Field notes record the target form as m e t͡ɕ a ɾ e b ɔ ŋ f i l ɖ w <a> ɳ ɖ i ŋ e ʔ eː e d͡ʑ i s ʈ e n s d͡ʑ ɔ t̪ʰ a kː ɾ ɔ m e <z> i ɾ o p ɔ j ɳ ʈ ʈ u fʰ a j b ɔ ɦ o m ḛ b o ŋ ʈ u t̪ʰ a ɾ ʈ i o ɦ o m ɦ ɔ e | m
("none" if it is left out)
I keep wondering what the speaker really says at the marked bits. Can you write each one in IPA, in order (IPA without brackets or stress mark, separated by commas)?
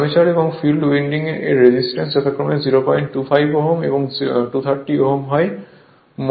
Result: i, z